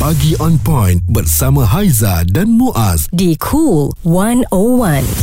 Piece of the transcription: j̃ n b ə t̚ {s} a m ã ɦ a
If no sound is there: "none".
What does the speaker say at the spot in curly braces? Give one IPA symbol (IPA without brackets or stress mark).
s